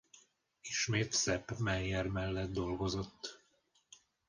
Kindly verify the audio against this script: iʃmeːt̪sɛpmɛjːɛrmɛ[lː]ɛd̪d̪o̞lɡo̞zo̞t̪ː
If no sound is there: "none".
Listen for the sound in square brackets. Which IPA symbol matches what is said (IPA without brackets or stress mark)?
lː